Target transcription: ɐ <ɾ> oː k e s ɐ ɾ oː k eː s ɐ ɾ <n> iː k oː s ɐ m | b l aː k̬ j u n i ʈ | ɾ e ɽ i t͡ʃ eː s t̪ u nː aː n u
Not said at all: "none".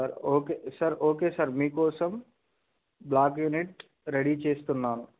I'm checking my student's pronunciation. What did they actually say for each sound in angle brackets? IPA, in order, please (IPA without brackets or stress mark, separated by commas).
ɾ, m